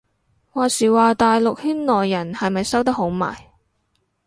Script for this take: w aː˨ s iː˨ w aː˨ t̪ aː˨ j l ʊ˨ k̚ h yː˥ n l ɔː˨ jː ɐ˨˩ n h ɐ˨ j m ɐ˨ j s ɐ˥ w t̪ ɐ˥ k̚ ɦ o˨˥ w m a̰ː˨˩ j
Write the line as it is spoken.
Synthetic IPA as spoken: w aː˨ s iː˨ w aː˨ t̪ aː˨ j l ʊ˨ k̚ h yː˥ n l ɔː˨ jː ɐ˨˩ n h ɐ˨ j m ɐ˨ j s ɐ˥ w t̪ ɐ˥ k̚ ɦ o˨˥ w m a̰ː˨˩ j